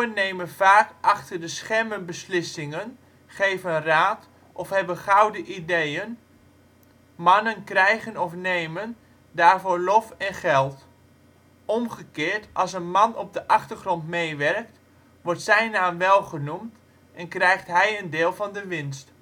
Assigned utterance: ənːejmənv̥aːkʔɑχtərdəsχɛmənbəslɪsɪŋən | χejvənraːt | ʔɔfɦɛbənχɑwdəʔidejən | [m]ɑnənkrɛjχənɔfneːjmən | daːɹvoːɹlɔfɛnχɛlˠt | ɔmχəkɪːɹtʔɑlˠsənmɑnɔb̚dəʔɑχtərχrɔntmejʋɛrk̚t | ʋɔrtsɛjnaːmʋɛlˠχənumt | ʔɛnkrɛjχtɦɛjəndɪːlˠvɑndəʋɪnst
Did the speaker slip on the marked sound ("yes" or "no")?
no